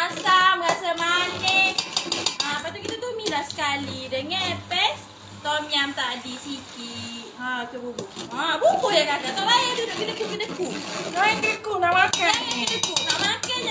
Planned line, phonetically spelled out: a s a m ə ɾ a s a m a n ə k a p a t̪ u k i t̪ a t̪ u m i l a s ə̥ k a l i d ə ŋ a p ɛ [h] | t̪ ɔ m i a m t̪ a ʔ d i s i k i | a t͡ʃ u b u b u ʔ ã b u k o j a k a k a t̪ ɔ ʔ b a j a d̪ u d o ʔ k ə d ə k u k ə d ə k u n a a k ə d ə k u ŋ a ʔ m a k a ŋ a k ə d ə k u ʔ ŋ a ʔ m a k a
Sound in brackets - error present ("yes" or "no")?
yes